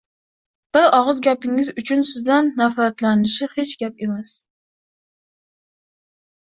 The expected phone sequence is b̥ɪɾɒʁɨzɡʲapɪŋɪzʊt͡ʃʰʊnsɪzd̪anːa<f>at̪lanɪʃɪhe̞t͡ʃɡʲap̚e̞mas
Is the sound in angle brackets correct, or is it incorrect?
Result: correct